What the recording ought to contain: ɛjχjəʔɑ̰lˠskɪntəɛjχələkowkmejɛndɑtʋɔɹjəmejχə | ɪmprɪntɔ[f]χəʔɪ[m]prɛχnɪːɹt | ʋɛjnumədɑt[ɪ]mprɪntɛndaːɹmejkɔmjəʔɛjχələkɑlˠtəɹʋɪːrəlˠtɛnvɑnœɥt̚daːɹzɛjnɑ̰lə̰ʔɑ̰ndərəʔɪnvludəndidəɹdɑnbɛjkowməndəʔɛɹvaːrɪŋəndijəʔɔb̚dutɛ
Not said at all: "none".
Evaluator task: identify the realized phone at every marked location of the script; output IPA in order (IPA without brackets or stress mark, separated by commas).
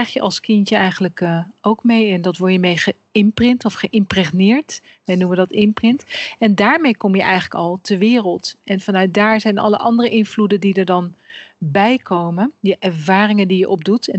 f, m, ɪ